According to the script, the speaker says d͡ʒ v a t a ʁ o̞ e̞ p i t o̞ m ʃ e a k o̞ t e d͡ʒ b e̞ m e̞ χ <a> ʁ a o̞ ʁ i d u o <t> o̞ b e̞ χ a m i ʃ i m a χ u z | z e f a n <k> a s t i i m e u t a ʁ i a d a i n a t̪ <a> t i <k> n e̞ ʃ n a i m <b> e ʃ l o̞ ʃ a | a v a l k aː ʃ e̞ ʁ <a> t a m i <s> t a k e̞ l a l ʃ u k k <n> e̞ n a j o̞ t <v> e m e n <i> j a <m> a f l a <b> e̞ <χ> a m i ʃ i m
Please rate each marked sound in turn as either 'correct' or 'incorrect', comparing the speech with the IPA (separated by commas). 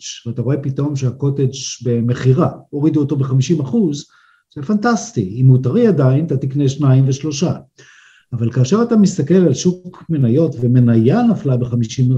incorrect, correct, incorrect, correct, correct, incorrect, correct, correct, incorrect, correct, incorrect, incorrect, correct, correct